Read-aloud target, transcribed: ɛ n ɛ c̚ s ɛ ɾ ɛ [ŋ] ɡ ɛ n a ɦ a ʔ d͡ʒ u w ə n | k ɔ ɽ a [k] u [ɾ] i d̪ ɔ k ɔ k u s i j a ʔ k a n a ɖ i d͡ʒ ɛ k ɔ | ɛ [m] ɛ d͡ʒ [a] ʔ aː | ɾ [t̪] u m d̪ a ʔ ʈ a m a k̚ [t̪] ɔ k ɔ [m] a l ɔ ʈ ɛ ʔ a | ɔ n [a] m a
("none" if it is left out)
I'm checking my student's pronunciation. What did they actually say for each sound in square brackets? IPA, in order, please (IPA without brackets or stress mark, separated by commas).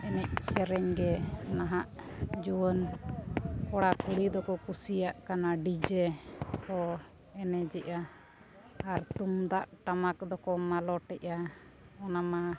ɲ, k, ɽ, n, ɛ, t̪, d̪, m, a